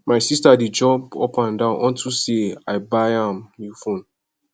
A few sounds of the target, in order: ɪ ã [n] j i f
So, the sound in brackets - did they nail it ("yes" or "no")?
no